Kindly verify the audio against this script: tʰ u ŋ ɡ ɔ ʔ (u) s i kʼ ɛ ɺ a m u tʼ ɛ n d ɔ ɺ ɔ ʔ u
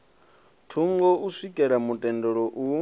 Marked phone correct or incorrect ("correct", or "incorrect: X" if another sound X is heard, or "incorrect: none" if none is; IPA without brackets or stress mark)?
correct